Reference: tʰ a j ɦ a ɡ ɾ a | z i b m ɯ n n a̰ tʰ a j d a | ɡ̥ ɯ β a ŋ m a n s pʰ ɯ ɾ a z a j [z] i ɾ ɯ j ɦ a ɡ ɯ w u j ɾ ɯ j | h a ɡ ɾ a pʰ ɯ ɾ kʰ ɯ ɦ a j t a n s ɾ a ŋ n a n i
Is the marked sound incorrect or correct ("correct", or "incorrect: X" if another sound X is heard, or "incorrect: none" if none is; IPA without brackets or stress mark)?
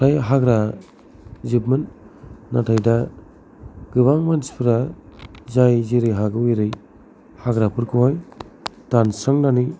correct